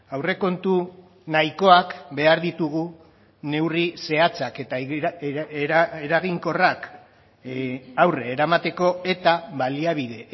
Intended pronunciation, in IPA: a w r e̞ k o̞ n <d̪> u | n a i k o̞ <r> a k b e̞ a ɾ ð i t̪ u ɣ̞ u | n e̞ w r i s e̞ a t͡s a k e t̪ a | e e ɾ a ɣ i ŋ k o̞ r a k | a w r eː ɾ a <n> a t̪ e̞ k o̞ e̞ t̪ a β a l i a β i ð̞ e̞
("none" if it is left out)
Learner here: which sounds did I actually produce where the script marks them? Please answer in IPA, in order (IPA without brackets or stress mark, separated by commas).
t̪, none, m